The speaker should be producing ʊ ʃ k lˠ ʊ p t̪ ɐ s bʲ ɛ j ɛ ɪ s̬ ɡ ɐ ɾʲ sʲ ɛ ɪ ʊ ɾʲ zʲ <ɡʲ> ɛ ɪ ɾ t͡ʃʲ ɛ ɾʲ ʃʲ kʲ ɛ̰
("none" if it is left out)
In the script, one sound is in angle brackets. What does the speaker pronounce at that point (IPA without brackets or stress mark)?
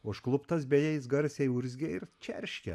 ɡʲ